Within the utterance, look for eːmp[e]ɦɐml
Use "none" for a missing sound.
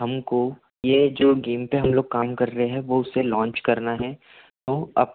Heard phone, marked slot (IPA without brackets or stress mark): e